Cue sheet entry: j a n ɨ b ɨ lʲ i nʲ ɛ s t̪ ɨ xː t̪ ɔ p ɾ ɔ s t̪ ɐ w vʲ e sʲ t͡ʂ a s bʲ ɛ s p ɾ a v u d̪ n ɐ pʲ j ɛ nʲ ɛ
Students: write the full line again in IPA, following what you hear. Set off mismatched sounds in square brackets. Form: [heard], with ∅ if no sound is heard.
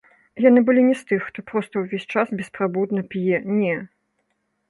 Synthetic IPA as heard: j a n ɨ b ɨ lʲ i nʲ ɛ s t̪ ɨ xː t̪ ɔ p ɾ ɔ s t̪ ɐ w vʲ e sʲ t͡ʂ a s bʲ ɛ s p ɾ a [b] u d̪ n ɐ pʲ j ɛ nʲ ɛ